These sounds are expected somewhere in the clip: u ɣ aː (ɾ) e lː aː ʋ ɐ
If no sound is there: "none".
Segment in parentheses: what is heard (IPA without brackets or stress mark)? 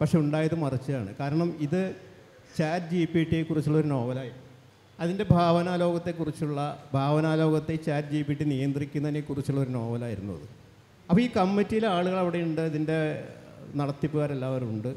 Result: ɾ